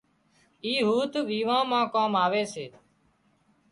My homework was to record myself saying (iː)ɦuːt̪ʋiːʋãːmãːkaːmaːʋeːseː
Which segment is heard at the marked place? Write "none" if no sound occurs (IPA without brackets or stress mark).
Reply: iː